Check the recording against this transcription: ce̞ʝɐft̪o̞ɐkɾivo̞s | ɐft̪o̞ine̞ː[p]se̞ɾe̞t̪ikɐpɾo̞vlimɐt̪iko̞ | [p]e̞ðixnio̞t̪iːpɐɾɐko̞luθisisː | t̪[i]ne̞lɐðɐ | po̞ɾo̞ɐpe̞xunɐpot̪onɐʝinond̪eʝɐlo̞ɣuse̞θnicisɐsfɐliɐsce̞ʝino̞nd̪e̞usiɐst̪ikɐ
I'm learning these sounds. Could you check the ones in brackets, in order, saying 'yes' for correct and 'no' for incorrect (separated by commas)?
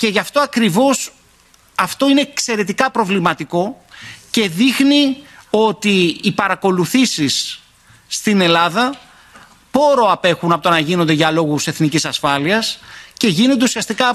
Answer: no, no, yes